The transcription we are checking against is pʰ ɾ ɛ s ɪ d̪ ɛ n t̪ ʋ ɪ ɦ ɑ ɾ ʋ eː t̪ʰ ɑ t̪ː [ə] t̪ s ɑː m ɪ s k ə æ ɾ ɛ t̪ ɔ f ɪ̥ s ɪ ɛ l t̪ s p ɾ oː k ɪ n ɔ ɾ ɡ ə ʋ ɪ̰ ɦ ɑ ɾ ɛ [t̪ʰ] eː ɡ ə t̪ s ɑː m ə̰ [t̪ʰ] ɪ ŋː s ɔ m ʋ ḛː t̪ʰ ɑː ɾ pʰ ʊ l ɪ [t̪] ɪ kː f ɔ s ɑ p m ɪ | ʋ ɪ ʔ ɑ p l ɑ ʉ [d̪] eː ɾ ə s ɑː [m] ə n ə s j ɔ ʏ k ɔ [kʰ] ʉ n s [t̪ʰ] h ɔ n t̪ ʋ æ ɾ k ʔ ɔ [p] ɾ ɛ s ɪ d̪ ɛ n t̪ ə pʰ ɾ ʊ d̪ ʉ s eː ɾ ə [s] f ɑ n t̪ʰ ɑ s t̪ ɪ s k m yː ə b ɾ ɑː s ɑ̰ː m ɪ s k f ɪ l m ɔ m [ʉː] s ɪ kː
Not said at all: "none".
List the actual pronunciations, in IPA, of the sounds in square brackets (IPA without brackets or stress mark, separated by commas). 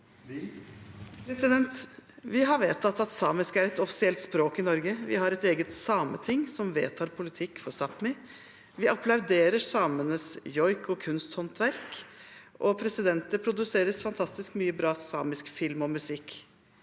ɑ, t̪, t̪ʰ, t̪ʰ, d̪, m, kʰ, t̪, pʰ, s, ʉ